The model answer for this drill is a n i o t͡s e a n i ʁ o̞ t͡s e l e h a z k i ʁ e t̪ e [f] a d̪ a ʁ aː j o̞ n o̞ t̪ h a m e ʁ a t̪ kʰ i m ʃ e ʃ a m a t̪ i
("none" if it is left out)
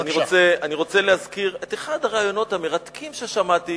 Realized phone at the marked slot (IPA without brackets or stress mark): χ